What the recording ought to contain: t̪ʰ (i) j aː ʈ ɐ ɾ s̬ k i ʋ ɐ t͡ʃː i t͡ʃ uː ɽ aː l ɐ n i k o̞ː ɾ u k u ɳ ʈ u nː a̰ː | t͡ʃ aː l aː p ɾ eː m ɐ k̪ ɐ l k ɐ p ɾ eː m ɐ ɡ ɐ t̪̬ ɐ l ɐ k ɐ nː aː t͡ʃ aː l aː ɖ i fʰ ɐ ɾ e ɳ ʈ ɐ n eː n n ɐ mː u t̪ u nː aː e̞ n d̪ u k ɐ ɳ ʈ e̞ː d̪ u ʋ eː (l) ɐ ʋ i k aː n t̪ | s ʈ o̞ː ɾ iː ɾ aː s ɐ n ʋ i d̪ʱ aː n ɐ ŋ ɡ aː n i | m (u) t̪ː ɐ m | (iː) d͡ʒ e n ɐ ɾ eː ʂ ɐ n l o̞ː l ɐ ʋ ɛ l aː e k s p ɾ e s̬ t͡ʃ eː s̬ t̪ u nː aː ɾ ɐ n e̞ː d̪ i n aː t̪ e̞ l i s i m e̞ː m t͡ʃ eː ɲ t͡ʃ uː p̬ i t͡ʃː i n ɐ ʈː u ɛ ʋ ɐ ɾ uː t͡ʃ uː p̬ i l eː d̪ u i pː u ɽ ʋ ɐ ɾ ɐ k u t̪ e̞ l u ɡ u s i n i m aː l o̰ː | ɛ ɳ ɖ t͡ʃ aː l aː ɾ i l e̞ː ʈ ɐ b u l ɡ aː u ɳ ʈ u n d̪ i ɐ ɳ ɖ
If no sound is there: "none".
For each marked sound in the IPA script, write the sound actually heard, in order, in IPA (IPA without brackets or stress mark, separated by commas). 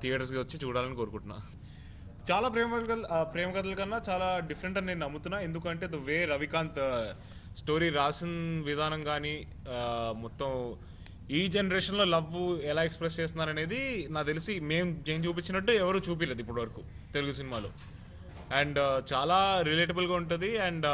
i, ɾ, ɔ, iː